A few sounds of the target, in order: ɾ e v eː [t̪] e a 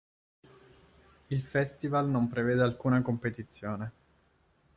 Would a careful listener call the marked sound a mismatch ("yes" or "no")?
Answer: yes